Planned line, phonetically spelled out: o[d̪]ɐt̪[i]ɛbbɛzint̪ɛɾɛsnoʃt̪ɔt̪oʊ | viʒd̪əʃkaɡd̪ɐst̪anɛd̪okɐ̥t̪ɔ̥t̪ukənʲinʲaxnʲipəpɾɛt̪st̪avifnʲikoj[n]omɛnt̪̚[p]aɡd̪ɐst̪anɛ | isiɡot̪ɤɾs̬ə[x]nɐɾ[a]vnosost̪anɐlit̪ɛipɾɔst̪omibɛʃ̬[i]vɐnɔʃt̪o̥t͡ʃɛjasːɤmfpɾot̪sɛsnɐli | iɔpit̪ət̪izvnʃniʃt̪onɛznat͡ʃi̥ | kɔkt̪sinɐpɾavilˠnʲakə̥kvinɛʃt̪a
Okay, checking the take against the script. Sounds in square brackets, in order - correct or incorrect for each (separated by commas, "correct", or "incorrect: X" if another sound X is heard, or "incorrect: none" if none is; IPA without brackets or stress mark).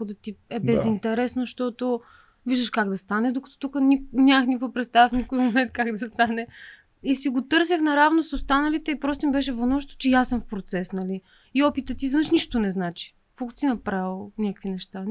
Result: correct, correct, incorrect: m, incorrect: k, correct, correct, incorrect: ɛ